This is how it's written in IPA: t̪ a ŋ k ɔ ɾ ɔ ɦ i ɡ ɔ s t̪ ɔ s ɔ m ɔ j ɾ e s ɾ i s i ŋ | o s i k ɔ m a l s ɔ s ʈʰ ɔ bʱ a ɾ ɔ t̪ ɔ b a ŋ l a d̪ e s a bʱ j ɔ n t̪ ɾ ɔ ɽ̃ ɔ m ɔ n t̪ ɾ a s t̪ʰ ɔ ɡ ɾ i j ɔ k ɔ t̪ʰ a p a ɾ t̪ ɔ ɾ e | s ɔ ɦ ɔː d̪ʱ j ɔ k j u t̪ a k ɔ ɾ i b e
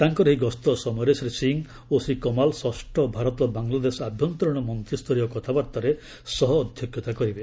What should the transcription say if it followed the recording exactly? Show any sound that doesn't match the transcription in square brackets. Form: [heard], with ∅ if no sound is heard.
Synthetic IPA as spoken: t̪ a ŋ k ɔ ɾ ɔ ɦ i ɡ ɔ s t̪ ɔ s ɔ m ɔ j ɾ e s ɾ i s i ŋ | o s i k ɔ m a l s ɔ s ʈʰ ɔ bʱ a ɾ ɔ t̪ ɔ b a ŋ l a d̪ e s a bʱ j ɔ n t̪ ɾ ɔ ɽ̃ ɔ m ɔ n t̪ ɾ [i] s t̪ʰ ɔ [∅] ɾ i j ɔ k ɔ t̪ʰ a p a ɾ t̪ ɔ ɾ e | s ɔ ɦ ɔː d̪ʱ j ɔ k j [ɔ] t̪ a k ɔ ɾ i b e